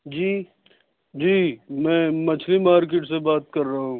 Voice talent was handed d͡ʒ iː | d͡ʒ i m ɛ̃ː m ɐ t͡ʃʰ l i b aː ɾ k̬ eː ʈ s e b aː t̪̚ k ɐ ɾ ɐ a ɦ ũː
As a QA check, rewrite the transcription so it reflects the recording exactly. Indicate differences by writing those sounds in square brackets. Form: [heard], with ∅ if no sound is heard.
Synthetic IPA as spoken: d͡ʒ iː | d͡ʒ [iː] m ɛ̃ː m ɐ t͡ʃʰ l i [m] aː ɾ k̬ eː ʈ s e b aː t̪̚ k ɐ [ɾː] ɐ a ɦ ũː